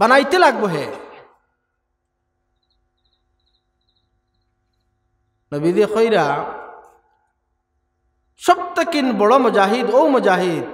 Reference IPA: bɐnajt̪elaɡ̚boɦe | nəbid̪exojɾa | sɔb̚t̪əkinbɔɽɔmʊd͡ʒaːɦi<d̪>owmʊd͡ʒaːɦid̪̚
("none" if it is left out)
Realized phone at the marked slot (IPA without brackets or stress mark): d̪